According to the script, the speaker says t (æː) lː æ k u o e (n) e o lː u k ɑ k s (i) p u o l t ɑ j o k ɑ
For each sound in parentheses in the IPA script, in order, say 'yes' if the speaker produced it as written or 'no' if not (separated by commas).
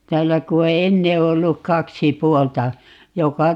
yes, no, yes